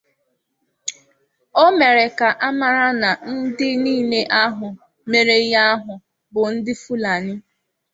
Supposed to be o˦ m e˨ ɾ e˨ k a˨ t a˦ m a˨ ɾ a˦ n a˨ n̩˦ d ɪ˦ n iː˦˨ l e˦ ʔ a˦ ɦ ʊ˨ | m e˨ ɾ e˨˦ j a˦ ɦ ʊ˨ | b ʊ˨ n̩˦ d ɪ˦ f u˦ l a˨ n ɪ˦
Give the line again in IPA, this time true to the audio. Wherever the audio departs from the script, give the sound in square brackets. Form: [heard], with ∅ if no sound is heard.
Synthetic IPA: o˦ m e˨ ɾ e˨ k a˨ [ʔ] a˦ m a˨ ɾ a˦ n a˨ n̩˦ d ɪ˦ n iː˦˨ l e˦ ʔ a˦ ɦ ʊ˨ | m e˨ ɾ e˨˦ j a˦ ɦ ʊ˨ | b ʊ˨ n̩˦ d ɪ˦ f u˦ l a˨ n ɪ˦